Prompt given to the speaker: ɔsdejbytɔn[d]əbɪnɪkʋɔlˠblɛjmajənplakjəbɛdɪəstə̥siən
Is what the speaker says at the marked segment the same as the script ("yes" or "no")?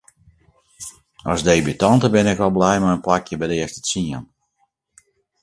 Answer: no